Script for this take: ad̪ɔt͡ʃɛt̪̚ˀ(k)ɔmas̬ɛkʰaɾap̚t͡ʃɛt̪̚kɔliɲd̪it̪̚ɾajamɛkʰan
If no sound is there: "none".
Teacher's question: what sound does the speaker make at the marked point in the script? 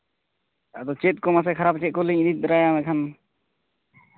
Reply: k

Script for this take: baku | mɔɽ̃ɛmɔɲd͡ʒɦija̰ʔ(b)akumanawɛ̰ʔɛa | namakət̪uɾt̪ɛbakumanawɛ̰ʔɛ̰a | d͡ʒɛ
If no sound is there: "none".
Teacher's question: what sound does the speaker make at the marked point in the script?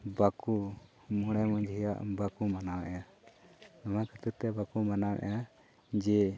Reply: b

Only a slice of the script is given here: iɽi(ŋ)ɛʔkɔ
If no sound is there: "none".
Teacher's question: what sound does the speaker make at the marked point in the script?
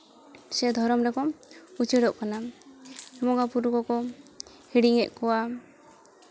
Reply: ŋ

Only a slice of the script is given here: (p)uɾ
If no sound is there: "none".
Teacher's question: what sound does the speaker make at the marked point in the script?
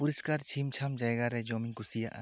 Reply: p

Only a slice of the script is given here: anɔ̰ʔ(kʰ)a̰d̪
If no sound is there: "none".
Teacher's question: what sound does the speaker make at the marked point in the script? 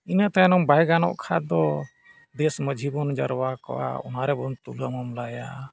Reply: kʰ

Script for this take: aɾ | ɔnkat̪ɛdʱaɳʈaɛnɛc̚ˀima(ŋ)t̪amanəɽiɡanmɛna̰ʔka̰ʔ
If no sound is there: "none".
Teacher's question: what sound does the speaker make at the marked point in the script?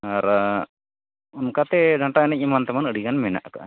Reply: n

